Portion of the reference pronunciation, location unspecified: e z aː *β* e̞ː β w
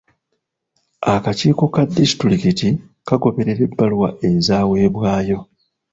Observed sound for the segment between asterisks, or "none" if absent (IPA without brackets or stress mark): w